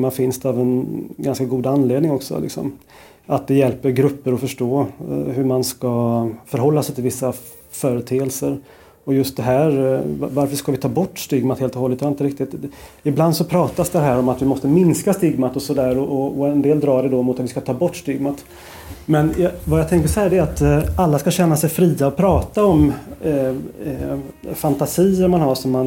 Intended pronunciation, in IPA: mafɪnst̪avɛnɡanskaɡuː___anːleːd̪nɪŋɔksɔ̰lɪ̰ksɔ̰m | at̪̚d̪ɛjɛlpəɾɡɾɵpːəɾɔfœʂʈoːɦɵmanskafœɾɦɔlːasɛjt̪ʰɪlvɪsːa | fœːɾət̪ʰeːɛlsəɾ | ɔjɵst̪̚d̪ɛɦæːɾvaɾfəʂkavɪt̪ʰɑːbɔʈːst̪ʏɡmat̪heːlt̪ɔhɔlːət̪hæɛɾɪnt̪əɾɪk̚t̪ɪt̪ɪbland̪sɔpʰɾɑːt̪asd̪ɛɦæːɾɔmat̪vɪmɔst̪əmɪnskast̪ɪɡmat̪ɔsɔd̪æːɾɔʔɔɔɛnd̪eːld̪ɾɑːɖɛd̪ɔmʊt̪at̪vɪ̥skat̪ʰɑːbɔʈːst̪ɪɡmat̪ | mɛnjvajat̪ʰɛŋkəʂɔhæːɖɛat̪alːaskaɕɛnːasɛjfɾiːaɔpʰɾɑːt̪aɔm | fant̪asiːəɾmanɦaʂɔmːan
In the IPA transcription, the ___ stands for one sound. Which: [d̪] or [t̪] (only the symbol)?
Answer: d̪